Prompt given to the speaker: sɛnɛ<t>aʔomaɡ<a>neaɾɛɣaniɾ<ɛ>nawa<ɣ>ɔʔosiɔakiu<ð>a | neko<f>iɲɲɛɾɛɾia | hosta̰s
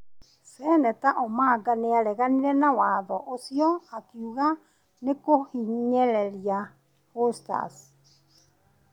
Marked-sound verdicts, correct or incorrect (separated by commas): correct, correct, correct, incorrect, incorrect, incorrect